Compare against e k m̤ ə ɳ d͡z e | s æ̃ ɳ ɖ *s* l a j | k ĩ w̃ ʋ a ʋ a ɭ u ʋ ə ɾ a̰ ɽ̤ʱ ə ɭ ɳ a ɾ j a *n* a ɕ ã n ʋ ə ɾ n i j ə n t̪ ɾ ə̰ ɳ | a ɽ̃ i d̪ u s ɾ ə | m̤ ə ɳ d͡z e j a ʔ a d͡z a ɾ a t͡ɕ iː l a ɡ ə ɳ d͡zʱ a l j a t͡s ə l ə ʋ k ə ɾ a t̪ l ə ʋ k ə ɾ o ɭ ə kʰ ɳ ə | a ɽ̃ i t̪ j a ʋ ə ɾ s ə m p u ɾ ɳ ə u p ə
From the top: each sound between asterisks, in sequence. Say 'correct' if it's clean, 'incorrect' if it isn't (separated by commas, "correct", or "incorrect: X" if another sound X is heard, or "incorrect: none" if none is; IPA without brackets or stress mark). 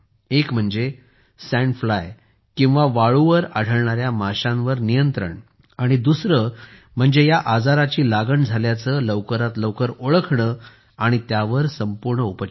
incorrect: f, incorrect: m